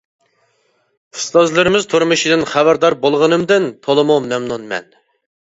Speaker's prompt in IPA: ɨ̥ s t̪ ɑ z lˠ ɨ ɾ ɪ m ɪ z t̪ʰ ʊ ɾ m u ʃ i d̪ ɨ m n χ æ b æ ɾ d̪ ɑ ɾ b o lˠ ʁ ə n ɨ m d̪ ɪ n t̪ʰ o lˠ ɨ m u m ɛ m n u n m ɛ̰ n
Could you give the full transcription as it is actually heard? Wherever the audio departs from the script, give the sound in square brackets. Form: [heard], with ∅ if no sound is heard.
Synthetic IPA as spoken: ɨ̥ s t̪ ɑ z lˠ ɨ ɾ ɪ m ɪ z t̪ʰ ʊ ɾ m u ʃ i d̪ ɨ [∅] n χ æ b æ ɾ d̪ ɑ ɾ b o lˠ ʁ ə n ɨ m d̪ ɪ n t̪ʰ o lˠ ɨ m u m ɛ m n u n m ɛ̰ n